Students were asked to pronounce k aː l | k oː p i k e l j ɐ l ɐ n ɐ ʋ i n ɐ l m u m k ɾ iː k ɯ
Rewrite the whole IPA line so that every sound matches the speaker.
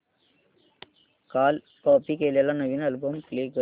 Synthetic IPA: k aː l | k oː p i k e l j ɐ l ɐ n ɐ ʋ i n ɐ l b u m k l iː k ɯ